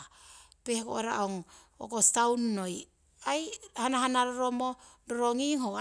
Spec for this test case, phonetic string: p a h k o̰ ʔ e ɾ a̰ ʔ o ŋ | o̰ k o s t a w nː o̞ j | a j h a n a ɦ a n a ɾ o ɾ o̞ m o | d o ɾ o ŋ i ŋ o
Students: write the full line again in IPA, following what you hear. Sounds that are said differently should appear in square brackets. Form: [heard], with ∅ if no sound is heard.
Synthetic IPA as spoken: p [e] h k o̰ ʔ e ɾ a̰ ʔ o ŋ | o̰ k o s t a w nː o̞ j | a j h a n a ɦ a n a ɾ o ɾ o̞ m o | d o ɾ o ŋ i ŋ o